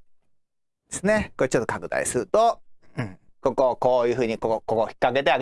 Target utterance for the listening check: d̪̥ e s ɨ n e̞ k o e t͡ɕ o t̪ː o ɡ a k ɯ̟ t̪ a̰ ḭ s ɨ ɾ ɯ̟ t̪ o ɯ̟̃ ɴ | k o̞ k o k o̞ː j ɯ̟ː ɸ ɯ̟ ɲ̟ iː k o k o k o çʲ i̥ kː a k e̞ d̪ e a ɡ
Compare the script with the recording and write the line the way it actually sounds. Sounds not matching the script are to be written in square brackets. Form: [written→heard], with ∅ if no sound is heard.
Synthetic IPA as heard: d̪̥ e s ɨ n e̞ k o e t͡ɕ o t̪ː o [ɡ→k] a k ɯ̟ [t̪→d̪] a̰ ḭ s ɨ ɾ ɯ̟ t̪ o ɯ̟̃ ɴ | k o̞ k o k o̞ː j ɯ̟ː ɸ [ɯ̟→ɯ̟ː] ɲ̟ [iː→i] k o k o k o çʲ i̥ kː a k e̞ [d̪→t̪] e a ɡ